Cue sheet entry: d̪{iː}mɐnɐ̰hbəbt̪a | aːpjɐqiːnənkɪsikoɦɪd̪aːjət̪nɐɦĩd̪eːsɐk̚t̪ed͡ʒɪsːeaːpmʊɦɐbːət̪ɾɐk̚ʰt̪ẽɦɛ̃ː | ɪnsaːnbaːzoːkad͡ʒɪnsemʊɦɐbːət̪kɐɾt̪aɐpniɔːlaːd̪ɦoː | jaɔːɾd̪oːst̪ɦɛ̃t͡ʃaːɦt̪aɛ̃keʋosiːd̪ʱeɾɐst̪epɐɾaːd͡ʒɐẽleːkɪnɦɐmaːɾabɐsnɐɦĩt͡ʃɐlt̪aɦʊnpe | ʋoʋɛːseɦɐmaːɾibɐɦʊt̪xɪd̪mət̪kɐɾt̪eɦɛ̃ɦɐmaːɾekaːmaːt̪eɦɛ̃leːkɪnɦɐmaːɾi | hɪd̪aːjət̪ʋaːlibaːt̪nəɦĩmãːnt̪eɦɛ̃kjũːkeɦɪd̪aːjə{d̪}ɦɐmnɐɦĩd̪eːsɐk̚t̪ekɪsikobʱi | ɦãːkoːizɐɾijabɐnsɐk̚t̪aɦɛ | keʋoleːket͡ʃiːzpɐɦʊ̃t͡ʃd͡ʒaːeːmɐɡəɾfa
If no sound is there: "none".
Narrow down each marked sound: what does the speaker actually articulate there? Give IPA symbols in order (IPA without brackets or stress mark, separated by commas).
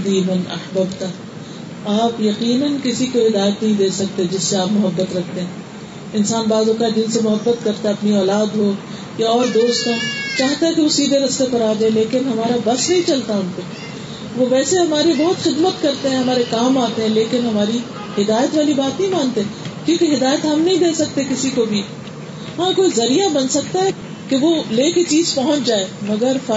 iː, t̪